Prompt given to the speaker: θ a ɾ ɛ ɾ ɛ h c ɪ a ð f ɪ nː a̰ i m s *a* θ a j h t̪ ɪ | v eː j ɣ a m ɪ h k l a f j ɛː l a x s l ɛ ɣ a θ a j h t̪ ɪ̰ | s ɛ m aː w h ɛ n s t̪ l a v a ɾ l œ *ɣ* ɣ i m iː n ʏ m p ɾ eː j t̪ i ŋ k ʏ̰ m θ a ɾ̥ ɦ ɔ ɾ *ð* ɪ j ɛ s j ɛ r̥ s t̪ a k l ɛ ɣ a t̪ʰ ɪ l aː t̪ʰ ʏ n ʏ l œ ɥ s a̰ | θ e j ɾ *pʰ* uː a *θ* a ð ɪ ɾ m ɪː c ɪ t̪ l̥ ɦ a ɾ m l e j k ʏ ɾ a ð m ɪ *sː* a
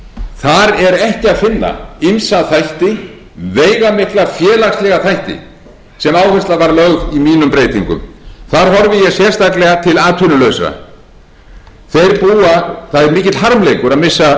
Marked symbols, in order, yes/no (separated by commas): yes, yes, no, no, yes, yes